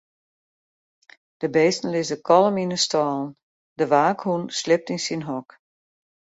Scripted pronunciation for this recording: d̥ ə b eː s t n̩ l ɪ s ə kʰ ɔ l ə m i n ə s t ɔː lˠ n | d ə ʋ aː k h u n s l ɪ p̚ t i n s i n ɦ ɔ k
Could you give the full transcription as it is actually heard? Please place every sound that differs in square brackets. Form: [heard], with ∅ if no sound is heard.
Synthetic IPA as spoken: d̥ ə b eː s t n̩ l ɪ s ə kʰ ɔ l ə m i n ə s t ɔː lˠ n | d ə ʋ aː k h u n s l ɪ p̚ t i n s i n ɦ ɔ k